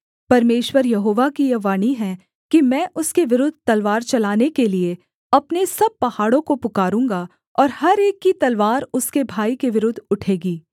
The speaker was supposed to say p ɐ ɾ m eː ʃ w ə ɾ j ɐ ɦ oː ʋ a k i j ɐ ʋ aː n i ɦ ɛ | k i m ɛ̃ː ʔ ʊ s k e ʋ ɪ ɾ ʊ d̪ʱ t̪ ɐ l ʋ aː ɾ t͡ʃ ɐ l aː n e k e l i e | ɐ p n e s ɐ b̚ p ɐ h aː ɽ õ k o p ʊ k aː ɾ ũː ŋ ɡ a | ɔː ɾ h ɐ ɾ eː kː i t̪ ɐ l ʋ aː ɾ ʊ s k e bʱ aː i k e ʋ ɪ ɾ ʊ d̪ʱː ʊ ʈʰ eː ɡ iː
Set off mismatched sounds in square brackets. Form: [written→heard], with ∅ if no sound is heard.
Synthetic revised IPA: p ɐ ɾ m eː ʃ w ə ɾ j ɐ ɦ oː ʋ a k i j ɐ ʋ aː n i ɦ ɛ | k i m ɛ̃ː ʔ ʊ s k e ʋ ɪ ɾ ʊ d̪ʱ t̪ ɐ l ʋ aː ɾ t͡ʃ ɐ l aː n e k e l i e | ɐ p n e s ɐ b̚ p ɐ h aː ɽ õ k o p ʊ k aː ɾ ũː ŋ ɡ a | ɔː ɾ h ɐ ɾ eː kː i t̪ ɐ l ʋ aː ɾ ʊ s k e bʱ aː i k e ʋ ɪ ɾ ʊ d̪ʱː ʊ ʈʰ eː ɡ iː